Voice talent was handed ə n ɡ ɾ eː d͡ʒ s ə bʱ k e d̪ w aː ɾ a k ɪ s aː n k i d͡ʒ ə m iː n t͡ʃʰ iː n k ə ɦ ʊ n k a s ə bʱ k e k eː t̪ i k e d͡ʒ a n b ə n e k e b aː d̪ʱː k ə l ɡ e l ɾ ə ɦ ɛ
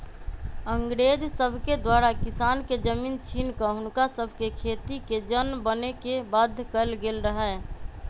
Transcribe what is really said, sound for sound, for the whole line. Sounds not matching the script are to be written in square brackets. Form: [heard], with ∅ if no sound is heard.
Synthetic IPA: ə [ŋ] ɡ ɾ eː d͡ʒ s ə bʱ k e d̪ w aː ɾ a k ɪ s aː n k [e] d͡ʒ ə m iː n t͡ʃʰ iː n k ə ɦ ʊ n k a s ə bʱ k e [kʰ] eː t̪ i k e d͡ʒ [ə] n b ə n e k e b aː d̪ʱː k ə l ɡ e l ɾ ə ɦ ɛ

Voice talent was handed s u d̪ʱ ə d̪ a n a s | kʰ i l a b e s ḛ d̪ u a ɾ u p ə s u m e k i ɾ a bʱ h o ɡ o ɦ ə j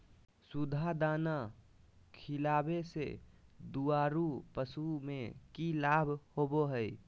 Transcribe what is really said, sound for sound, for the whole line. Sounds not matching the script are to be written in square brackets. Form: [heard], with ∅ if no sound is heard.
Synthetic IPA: s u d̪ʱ [a] d̪ a n a [∅] | kʰ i l a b e s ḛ d̪ u a ɾ u p ə s u m e k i [l] a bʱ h o [b] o ɦ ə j

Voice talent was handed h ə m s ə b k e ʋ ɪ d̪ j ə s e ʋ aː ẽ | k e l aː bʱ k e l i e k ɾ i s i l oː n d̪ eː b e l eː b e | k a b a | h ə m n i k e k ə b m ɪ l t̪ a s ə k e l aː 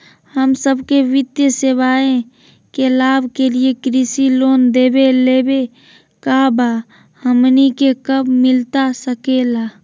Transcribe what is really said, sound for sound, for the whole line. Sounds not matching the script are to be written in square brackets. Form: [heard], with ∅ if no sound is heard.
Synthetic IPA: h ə m s ə b k e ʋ ɪ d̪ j ə s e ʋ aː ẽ | k e l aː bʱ k e l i e k ɾ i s i l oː n d̪ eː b e l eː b e | k a b a | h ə m n i k e k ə b m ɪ l t̪ a s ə k e l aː

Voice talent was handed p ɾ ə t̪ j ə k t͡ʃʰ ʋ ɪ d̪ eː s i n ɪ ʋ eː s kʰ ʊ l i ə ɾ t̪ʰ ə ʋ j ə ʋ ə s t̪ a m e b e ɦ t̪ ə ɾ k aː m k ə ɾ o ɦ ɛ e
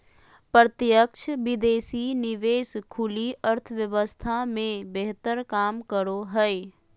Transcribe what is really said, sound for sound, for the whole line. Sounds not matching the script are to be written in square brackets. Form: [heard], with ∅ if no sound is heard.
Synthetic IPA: p ɾ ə t̪ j ə k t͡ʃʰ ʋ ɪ d̪ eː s i n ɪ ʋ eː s kʰ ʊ l i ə ɾ t̪ʰ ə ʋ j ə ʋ ə s [t̪ʰ] a m [ẽ] b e ɦ t̪ ə ɾ k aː m k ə ɾ o ɦ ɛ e

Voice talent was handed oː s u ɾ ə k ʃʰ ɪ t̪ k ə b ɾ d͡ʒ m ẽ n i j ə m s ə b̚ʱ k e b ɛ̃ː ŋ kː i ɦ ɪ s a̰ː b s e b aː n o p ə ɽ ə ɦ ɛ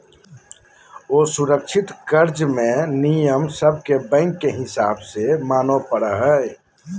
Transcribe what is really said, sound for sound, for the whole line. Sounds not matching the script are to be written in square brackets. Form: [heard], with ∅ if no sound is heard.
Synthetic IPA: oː s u ɾ ə k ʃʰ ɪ t̪ k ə [∅] ɾ d͡ʒ m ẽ n i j ə m s ə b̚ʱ k e b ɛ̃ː ŋ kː [e] ɦ ɪ s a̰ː b s e [m] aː n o p ə ɽ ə ɦ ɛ

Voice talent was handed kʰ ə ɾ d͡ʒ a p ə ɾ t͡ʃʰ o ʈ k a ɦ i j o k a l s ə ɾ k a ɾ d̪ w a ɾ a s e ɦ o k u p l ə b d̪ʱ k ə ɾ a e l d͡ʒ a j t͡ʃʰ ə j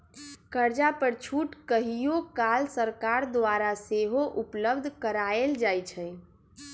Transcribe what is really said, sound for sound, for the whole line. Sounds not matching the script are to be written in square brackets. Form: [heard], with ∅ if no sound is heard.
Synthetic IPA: [k] ə ɾ d͡ʒ a p ə ɾ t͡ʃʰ [u] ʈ k [ə] ɦ i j o k a l s ə ɾ k a ɾ d̪ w a ɾ a s e ɦ o [ʔ] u p l ə b d̪ʱ k ə ɾ a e l d͡ʒ a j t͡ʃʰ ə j

